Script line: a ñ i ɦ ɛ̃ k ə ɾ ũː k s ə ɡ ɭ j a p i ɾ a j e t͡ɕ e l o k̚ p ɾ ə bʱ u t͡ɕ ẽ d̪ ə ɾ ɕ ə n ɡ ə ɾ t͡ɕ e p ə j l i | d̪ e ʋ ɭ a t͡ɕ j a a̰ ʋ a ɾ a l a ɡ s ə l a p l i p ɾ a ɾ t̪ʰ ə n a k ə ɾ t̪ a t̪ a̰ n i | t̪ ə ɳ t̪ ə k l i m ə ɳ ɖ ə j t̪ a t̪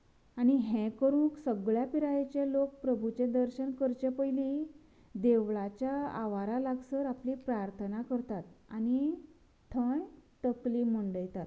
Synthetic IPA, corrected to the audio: a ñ i ɦ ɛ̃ k ə ɾ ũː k s ə ɡ ɭ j a p i ɾ a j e t͡ɕ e l o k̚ p ɾ ə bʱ u t͡ɕ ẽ d̪ ə ɾ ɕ ə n k ə ɾ t͡ɕ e p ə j l i | d̪ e ʋ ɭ a t͡ɕ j a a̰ ʋ a ɾ a l a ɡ s ə ɾ a p l i p ɾ a ɾ t̪ʰ ə n a k ə ɾ t̪ a t̪ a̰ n i | t̪ʰ ə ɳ t̪ ə k l i m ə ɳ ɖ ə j t̪ a t̪